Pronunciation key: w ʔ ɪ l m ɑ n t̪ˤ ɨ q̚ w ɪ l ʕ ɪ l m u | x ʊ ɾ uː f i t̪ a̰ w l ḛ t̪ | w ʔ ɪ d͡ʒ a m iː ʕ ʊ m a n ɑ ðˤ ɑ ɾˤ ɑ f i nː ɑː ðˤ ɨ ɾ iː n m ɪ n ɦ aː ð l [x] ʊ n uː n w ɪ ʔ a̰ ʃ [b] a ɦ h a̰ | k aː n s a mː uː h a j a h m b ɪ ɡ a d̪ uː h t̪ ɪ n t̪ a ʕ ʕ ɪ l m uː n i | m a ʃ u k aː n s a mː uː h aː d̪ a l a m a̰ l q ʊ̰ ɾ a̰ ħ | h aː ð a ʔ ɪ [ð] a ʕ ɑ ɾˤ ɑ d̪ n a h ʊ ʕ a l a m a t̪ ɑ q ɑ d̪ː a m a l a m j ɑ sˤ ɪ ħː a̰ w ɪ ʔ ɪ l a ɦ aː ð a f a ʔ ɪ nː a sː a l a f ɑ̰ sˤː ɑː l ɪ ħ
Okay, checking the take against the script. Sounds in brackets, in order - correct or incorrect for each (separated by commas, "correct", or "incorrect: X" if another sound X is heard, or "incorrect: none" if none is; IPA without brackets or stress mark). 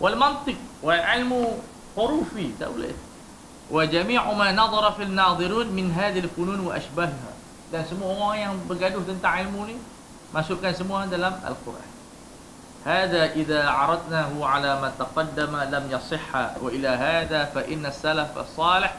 incorrect: f, correct, correct